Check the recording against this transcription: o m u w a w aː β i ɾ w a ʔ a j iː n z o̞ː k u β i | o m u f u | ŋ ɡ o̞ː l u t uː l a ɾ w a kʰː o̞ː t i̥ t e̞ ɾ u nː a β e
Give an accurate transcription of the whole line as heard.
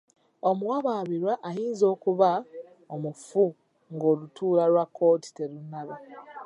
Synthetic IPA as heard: o m u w a β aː β i ɾ w a ʔ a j iː n z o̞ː k u β a | o m u f u | ŋ ɡ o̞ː l u t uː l a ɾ w a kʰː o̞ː t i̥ t e̞ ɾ u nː a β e